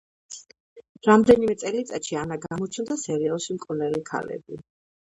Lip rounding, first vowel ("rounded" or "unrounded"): unrounded